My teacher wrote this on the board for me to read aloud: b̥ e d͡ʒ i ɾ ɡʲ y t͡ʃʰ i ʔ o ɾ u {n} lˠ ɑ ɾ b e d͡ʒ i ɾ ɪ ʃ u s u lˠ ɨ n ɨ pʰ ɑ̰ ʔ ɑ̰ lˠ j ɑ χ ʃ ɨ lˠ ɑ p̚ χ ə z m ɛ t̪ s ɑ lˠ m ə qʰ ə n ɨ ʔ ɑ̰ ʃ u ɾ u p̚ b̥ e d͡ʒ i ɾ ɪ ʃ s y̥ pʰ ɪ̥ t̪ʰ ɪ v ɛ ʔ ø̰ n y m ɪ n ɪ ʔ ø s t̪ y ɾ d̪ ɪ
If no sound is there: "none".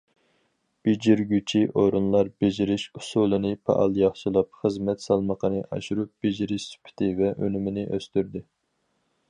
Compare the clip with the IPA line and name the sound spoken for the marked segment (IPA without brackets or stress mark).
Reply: n